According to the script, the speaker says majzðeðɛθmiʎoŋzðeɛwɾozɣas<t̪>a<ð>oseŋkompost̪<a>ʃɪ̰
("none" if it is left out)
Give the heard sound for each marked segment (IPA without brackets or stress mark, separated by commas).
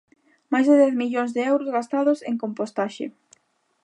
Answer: t̪, ð, a